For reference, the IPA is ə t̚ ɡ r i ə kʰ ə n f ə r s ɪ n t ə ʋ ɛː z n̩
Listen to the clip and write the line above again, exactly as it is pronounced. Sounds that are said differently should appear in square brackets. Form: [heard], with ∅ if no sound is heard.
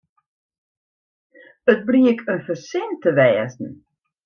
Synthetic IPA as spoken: ə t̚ [b] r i ə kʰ ə n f ə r s ɪ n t ə ʋ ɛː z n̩

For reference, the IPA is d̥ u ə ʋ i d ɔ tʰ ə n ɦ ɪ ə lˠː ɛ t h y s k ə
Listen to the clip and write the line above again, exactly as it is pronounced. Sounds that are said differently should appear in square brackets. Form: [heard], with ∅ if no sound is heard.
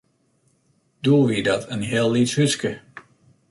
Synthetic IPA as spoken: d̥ u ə ʋ i d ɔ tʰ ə n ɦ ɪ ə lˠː [i] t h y s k ə

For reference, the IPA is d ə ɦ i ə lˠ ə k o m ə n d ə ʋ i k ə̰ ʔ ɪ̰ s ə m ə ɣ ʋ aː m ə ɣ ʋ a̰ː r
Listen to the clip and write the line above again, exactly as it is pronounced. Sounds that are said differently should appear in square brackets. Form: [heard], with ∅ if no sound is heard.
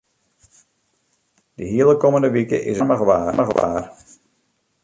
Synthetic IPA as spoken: d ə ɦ i ə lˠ ə k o m ə n d ə ʋ i k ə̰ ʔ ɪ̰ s ə m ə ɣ ʋ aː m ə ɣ ʋ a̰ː r

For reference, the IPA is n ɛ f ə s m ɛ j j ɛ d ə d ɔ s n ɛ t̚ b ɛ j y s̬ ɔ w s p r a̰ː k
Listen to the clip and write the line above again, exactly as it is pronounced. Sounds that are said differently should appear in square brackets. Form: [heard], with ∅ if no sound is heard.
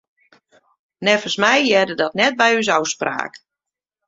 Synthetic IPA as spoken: n ɛ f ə s m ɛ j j ɛ d ə d ɔ [t] n ɛ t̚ b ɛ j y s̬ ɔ w s p r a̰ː k

